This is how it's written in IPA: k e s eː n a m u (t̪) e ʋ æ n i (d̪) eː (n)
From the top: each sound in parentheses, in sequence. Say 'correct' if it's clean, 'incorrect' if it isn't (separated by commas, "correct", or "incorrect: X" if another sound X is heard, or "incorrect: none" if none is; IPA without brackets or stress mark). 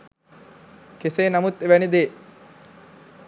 correct, correct, incorrect: none